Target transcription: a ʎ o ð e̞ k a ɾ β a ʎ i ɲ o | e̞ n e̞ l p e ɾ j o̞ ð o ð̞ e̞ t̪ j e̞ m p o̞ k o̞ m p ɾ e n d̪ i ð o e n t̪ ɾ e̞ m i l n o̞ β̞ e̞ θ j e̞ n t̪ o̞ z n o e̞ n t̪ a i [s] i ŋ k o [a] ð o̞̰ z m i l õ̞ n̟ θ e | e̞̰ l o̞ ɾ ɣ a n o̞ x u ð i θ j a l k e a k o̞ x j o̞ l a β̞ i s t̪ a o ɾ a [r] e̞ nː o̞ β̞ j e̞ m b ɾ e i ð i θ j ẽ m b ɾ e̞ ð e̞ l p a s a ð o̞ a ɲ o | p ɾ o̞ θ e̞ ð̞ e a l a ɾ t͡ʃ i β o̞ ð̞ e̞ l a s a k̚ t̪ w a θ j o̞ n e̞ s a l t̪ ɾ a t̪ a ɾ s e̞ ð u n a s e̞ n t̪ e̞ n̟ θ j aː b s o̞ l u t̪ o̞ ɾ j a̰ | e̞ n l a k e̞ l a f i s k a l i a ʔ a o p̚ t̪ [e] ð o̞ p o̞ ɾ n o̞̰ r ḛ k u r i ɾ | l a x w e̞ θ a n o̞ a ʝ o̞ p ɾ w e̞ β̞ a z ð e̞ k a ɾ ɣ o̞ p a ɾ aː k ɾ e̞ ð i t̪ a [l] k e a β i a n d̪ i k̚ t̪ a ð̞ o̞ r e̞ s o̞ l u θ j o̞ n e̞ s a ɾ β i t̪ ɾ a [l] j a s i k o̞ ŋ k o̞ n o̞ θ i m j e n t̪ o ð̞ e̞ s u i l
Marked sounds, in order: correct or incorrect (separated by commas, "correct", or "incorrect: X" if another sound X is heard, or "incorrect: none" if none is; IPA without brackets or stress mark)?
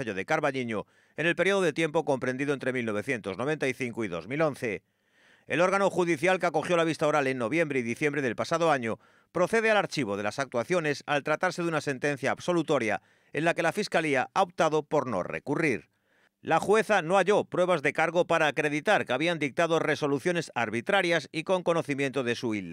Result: incorrect: θ, incorrect: i, incorrect: l, incorrect: a, incorrect: ɾ, incorrect: ɾ